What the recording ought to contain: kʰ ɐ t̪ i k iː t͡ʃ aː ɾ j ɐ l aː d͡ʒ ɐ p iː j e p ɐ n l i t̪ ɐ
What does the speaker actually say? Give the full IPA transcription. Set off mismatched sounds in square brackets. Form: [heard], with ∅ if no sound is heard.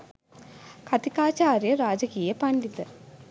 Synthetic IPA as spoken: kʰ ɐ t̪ i k [aː] t͡ʃ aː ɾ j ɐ [ɾ] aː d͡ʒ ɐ [k] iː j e p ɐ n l i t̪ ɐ